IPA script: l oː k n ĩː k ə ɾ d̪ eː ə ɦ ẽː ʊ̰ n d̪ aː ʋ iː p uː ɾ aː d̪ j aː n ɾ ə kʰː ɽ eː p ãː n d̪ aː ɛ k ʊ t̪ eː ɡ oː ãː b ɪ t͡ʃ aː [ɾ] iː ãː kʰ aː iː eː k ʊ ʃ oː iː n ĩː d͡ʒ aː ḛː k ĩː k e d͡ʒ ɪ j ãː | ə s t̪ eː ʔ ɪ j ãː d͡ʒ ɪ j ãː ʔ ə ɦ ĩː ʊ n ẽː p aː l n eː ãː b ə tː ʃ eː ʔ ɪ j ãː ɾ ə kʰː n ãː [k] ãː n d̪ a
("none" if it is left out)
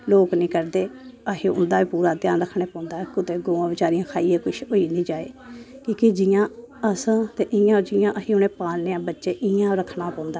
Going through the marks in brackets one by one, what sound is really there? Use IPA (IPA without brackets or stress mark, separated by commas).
ɾ, p